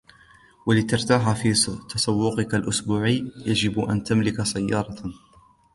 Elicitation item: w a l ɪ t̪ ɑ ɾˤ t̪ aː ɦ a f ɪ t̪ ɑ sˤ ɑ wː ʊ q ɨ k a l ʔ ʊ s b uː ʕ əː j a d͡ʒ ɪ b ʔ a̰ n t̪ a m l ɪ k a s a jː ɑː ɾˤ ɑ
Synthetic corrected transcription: w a l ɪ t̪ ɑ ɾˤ t̪ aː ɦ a f i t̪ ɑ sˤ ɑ wː ʊ q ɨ k a l ʔ ʊ s b uː ʕ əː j a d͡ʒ ɪ b ʔ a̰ n t̪ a m l ɪ k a s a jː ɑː ɾˤ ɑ